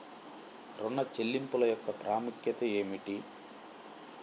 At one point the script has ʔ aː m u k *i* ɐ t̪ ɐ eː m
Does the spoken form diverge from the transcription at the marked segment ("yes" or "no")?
yes